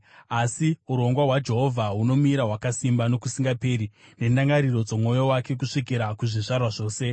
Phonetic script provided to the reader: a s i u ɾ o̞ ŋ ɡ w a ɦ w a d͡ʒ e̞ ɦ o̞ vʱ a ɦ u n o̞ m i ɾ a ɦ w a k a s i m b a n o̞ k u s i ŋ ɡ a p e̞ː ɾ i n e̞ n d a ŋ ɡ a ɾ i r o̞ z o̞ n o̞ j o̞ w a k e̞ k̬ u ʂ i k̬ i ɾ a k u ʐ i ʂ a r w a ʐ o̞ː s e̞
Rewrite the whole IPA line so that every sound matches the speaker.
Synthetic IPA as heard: a s i u ɾ o̞ ŋ ɡ w a ɦ w a d͡ʒ e̞ ɦ o̞ vʱ a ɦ u n o̞ m i ɾ a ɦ w a k a s i m b a n o̞ k u s i ŋ ɡ a p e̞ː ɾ i n e̞ n d a ŋ ɡ a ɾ i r o̞ d͡z o̞ m o̞ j o̞ w a k e̞ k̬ u ʂ i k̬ i ɾ a k u ʐ i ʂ a r w a ʐ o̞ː s e̞